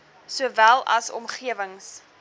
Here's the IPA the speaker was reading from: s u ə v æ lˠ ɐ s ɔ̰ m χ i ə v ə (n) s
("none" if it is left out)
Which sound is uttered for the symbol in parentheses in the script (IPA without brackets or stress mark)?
ŋ